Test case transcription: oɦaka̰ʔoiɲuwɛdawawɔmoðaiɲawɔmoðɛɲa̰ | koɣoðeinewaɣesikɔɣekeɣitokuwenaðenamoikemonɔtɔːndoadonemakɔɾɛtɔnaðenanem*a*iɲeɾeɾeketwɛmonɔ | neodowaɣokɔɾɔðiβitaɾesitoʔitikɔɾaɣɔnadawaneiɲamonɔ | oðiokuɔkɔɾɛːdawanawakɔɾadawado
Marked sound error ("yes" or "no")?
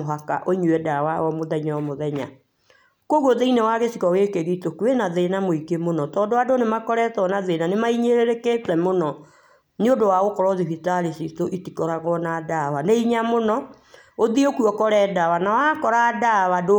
no